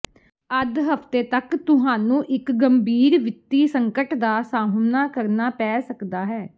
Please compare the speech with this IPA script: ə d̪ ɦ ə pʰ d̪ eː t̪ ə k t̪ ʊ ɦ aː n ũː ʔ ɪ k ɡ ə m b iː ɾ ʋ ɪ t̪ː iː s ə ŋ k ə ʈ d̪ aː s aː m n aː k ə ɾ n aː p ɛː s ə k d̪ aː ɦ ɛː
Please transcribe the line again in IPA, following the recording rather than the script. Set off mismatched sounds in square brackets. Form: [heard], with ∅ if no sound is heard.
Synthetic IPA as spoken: ə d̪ ɦ ə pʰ [t̪] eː t̪ ə k t̪ ʊ ɦ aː n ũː ʔ ɪ k ɡ ə m b iː ɾ ʋ ɪ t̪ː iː s ə ŋ k ə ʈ d̪ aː s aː m n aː k ə ɾ n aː p ɛː s ə k d̪ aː ɦ ɛː